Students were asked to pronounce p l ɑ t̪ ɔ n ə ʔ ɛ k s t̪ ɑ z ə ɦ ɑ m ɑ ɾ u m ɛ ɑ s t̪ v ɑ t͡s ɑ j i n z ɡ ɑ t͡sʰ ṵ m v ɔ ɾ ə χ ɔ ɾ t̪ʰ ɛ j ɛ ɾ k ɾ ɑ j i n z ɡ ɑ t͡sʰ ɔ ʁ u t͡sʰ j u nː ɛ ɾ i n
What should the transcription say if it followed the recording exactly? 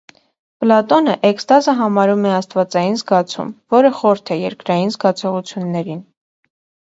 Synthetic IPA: p l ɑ t̪ ɔ n ə ʔ ɛ k s t̪ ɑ z ə ɦ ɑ m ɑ ɾ u m ɛ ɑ s t̪ v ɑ t͡s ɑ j i n z ɡ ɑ t͡sʰ ṵ m v ɔ ɾ ə χ ɔ ɾ t̪ʰ ɛ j ɛ ɾ k ɾ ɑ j i n z ɡ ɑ t͡sʰ ɔ ʁ u t͡sʰ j u nː ɛ ɾ i n